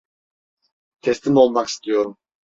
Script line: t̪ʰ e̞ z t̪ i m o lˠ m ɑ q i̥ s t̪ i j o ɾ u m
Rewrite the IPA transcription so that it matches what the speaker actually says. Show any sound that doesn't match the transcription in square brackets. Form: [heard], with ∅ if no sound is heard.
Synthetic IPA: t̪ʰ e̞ [s] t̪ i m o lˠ m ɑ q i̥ s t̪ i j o ɾ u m